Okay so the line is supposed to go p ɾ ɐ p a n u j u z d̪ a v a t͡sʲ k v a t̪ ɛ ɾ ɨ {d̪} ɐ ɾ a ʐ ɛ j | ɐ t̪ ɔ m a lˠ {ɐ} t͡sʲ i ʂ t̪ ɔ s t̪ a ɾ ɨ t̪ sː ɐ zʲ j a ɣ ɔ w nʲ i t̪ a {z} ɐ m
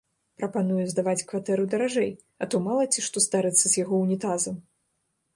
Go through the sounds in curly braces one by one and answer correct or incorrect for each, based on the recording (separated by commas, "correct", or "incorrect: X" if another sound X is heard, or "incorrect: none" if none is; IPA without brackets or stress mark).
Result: correct, correct, correct